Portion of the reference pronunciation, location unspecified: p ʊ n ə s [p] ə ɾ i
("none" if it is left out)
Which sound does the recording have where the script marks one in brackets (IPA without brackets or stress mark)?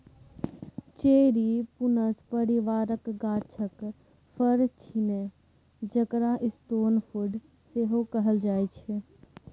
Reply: p